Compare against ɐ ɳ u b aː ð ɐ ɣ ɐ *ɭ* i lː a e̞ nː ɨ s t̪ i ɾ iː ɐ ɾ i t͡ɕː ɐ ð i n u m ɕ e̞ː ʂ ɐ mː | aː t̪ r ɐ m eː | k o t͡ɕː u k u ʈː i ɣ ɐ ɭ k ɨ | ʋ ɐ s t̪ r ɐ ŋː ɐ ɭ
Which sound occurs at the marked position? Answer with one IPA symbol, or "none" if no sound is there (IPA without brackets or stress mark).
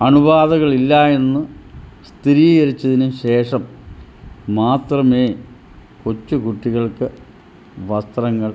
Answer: ɭ